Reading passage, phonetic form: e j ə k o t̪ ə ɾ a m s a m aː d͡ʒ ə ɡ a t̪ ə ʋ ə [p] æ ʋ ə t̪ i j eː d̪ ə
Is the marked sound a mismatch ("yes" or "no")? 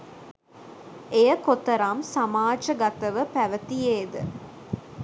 no